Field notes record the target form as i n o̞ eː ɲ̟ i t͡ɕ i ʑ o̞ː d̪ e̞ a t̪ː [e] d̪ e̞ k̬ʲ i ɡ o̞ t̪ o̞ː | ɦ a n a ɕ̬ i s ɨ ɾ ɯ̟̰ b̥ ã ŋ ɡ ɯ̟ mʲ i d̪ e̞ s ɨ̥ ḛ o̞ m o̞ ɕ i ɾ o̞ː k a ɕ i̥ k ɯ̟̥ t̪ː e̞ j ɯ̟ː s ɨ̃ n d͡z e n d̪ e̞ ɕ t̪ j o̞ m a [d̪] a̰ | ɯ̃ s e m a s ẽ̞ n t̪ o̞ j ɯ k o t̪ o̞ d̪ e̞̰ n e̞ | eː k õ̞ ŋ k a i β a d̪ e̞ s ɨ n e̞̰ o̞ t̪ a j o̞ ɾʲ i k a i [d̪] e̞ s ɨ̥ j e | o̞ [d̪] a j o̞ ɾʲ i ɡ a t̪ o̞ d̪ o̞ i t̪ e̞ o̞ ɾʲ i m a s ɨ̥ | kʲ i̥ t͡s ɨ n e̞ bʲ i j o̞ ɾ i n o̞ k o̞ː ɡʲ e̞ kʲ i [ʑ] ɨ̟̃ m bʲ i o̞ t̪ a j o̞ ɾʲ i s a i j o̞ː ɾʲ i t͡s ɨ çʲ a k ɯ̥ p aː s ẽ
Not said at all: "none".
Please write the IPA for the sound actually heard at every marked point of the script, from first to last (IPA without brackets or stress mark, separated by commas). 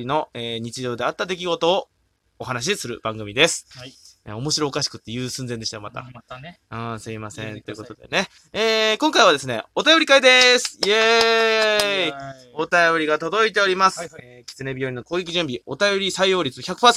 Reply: a, t̪, d̪, t̪, ʑ